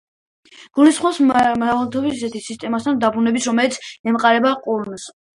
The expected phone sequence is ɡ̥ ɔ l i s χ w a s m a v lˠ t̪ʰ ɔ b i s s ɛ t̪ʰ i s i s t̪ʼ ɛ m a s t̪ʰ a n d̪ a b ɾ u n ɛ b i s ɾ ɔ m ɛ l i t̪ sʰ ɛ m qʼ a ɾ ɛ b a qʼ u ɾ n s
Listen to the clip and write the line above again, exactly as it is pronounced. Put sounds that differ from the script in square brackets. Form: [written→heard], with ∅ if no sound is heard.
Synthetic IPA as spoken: ɡ̥ [ɔ→u] l i s χ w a s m a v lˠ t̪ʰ ɔ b i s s ɛ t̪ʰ i s i s t̪ʼ ɛ m a s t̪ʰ a n d̪ a b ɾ u n ɛ b i s ɾ ɔ m ɛ l i t̪ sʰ ɛ m qʼ a ɾ ɛ b a qʼ u ɾ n s